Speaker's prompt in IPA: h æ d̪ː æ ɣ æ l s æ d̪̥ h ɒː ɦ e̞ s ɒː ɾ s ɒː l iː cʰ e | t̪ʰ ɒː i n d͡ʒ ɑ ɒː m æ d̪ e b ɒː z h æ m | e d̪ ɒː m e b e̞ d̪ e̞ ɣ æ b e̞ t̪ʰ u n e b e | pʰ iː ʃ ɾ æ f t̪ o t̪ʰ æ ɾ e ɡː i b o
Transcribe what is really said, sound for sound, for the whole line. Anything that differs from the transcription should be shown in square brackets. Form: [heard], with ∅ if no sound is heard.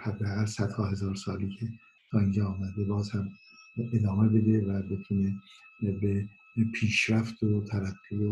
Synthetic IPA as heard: h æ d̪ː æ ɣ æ l s æ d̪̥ h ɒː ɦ e̞ [z] ɒː ɾ s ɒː l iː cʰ e | t̪ʰ ɒː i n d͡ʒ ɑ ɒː m æ d̪ e b ɒː z h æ m | e d̪ ɒː m e b e̞ d̪ e̞ [v] æ b e̞ t̪ʰ u n e b e | pʰ iː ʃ ɾ æ f t̪ o t̪ʰ æ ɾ [æ] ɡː i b o